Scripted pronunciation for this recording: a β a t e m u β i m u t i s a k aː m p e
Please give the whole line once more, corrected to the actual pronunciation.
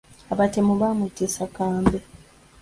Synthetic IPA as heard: a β a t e m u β a m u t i s a k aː m b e